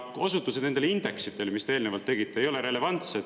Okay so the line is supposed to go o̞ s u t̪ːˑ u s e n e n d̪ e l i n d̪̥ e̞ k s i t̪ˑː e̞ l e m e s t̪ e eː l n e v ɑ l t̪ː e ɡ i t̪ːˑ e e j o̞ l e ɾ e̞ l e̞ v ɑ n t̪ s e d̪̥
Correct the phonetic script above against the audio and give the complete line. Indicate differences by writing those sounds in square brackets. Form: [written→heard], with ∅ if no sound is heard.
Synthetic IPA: o̞ s u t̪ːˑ u s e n e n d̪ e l i n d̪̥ e̞ k s i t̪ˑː e̞ l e m [e→i] s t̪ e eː l n e v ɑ l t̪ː e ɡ i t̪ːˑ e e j o̞ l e ɾ e̞ l e̞ v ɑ n t̪ s e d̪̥